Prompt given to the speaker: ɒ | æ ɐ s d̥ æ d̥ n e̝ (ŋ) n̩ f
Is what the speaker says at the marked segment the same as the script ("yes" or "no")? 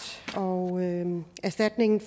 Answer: yes